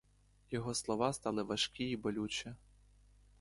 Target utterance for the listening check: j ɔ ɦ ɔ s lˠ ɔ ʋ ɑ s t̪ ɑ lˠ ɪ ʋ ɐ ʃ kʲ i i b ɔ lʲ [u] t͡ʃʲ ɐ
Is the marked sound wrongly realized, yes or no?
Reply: no